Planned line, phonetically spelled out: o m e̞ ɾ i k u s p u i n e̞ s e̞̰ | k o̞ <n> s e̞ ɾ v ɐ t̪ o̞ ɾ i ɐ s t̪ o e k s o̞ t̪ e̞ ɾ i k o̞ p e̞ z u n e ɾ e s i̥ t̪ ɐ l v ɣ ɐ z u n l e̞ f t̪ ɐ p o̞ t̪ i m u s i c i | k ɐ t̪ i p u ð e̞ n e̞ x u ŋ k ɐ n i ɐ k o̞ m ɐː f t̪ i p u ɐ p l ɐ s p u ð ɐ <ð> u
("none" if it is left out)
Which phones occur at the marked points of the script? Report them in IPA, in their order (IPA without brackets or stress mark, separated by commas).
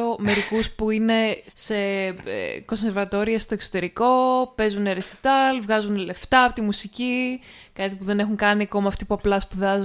n, z